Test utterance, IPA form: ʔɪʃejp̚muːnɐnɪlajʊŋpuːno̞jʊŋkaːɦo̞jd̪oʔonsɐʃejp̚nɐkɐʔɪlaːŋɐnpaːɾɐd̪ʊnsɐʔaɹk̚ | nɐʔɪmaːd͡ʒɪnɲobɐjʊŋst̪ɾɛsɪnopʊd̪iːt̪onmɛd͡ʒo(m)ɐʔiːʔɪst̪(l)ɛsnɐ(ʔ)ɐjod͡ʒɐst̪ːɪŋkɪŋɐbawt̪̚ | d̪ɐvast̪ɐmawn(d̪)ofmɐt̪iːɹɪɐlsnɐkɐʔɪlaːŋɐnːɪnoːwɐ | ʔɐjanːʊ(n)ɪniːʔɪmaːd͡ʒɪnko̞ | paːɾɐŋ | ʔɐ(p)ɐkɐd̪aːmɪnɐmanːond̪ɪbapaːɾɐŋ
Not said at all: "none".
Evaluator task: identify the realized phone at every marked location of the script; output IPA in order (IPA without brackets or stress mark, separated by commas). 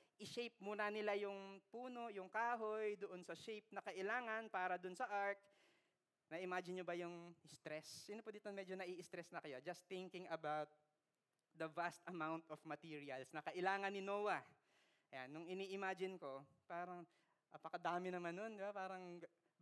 n, ɾ, k, t̪, ŋ, p